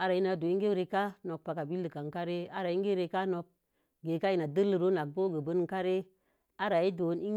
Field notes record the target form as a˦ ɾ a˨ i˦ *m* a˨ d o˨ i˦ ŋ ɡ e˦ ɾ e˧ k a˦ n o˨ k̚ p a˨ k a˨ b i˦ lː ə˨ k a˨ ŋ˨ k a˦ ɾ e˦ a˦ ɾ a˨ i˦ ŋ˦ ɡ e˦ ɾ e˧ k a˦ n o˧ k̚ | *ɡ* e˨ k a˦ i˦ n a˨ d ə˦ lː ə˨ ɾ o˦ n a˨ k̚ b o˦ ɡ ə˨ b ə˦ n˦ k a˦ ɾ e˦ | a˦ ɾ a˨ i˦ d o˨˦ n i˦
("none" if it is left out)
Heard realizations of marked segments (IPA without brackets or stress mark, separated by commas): n, ɡ